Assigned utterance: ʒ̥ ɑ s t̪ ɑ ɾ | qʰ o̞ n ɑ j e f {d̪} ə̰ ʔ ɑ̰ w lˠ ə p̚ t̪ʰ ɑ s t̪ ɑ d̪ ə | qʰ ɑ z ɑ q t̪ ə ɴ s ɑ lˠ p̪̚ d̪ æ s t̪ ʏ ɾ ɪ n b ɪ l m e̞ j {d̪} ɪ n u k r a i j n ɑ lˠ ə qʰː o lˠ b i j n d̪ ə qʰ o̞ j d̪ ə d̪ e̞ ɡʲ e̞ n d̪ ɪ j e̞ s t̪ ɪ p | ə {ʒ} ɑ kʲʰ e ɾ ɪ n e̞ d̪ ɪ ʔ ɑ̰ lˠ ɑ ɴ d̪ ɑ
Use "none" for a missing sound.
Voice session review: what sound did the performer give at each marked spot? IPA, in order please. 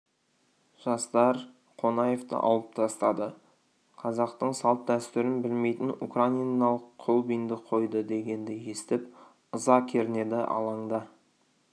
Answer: t̪, t̪, z

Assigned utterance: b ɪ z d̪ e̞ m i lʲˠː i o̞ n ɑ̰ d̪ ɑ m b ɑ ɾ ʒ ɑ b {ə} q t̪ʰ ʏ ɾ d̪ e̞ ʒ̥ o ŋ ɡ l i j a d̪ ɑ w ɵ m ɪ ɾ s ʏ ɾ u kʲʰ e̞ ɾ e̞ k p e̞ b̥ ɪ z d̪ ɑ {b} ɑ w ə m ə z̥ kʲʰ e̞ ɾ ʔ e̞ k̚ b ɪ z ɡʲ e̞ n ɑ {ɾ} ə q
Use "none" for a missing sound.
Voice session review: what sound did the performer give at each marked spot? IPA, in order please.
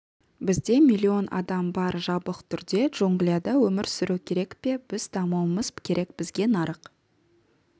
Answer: ə, m, ɾ

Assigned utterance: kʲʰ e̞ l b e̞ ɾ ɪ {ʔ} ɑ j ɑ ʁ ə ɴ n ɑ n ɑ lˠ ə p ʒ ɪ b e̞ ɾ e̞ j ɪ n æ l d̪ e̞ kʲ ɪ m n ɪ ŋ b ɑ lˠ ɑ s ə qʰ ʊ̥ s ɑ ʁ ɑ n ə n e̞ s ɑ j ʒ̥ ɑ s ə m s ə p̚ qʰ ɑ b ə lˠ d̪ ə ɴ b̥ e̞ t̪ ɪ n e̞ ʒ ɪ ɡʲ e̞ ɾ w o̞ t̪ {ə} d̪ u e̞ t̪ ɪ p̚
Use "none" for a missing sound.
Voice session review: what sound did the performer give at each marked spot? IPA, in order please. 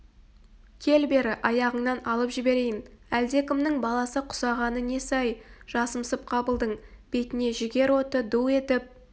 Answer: ʔ, ə

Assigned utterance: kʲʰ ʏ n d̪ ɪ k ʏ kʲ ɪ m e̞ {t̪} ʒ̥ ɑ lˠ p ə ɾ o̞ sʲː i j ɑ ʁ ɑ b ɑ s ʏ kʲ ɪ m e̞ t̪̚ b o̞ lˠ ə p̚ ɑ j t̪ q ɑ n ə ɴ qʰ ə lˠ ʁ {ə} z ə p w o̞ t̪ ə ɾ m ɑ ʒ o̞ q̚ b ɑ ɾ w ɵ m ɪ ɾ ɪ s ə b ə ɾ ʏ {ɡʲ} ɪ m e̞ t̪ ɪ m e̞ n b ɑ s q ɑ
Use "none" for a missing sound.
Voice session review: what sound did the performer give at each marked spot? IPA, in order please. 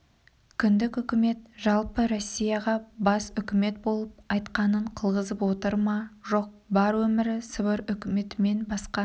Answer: t̪, ə, kʲ

